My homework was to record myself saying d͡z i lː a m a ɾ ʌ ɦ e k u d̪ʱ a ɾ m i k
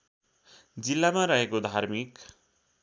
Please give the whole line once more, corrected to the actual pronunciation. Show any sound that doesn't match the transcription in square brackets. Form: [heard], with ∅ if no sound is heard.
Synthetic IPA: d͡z i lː a m a ɾ ʌ ɦ e k [o] d̪ʱ a ɾ m i k

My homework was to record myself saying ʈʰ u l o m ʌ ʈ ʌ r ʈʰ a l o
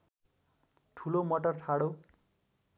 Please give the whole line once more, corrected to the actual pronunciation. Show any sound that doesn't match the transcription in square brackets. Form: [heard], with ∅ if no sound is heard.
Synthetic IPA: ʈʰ u l o m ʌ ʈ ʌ r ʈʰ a [ɽ] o

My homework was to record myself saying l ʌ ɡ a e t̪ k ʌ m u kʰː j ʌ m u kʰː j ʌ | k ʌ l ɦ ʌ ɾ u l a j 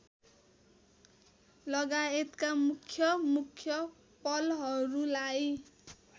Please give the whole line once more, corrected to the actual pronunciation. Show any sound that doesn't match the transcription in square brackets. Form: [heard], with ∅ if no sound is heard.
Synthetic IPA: l ʌ ɡ a e t̪ k [a] m u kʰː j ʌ m u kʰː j ʌ | [p] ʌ l ɦ ʌ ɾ u l a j

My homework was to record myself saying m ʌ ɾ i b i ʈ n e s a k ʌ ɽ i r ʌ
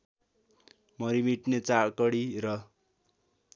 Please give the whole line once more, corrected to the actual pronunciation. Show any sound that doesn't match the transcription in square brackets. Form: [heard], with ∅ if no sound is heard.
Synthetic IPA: m ʌ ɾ i [m] i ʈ n e [t͡s] a k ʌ ɽ i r ʌ

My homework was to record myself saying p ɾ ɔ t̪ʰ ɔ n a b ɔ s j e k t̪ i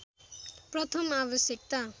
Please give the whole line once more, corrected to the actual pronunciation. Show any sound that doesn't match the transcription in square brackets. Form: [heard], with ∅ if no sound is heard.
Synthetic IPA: p ɾ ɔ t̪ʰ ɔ [m] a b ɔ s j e k t̪ [a]

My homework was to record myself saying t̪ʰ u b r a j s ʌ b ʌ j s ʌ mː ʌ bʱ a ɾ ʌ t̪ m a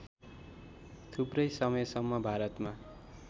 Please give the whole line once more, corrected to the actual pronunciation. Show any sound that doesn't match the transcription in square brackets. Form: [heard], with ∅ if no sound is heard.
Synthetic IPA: t̪ʰ u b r [ʌ] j s ʌ [m] ʌ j s ʌ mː ʌ bʱ a ɾ ʌ t̪ m a

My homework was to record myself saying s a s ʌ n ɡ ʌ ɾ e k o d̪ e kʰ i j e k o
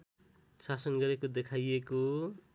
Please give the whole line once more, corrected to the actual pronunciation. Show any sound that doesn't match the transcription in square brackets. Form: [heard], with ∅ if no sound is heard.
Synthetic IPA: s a s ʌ n ɡ ʌ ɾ e k o d̪ e kʰ [a] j e k o

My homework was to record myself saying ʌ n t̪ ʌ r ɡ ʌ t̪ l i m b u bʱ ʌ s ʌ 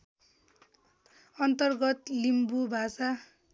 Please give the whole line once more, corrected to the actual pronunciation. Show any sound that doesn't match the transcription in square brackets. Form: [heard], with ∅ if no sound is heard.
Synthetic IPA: ʌ n t̪ ʌ r ɡ ʌ t̪ l i m b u bʱ [a] s [a]

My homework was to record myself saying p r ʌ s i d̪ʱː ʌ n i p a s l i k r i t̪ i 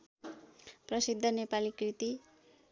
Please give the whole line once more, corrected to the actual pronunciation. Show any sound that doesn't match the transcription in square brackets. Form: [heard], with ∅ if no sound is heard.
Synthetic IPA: p r ʌ s i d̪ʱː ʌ n [e] p a [∅] l i k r i t̪ i

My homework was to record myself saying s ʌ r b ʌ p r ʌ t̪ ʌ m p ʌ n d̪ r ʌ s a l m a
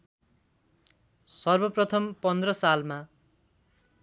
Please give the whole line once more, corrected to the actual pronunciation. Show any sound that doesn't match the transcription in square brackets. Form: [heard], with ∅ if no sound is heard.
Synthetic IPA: s ʌ r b ʌ p r ʌ [t̪ʰ] ʌ m p ʌ n d̪ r ʌ s a l m a

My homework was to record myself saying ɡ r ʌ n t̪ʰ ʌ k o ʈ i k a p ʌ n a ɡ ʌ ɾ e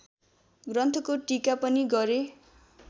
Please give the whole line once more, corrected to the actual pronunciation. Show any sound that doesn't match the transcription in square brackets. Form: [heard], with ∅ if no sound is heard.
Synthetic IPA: ɡ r ʌ n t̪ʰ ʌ k o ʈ i k a p ʌ n [i] ɡ ʌ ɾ e

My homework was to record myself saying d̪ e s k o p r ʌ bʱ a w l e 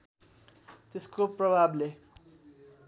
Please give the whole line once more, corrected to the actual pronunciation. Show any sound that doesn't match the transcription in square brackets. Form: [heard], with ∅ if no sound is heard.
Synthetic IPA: [t̪] e s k o p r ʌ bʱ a [b] l e

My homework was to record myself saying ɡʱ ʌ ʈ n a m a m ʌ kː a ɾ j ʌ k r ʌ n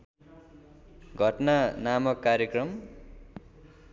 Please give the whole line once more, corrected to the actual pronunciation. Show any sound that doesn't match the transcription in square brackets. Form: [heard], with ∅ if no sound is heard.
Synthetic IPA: ɡʱ ʌ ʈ n a [n] a m ʌ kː a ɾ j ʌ k r ʌ [m]

